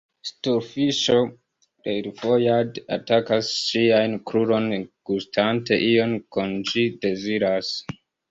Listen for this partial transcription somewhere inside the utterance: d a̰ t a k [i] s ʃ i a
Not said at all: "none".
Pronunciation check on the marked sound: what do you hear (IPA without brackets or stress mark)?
a